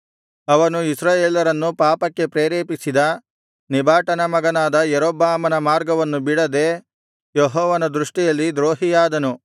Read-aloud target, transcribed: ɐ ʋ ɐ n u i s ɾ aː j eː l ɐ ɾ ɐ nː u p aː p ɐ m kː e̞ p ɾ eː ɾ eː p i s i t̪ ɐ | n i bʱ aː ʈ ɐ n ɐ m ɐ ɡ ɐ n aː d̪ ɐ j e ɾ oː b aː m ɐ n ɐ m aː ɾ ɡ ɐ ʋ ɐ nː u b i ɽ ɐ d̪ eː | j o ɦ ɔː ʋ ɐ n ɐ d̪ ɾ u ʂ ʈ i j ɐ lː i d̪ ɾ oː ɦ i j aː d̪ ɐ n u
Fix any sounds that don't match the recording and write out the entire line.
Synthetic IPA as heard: ɐ ʋ ɐ n u i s ɾ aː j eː l ɐ ɾ ɐ nː u p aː p ɐ kː e̞ p ɾ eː ɾ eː p i s i d̪ ɐ | n i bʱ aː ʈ ɐ n ɐ m ɐ ɡ ɐ n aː d̪ ɐ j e ɾ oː b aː m ɐ n ɐ m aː ɾ ɡ ɐ ʋ ɐ nː u b i ɽ ɐ d̪ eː | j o ɦ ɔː ʋ ɐ n ɐ d̪ ɾ u ʂ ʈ i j ɐ lː i d̪ ɾ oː ɦ i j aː d̪ ɐ n u